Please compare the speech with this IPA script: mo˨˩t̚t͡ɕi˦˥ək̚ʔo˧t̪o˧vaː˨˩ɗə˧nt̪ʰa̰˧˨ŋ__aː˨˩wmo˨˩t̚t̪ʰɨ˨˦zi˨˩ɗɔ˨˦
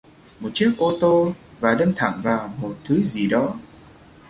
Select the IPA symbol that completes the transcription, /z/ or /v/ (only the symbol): v